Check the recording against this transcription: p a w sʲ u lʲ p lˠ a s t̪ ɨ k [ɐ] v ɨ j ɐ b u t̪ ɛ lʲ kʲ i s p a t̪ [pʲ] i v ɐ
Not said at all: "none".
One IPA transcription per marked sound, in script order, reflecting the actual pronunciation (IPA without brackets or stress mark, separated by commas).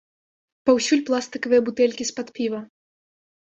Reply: ɐ, pʲ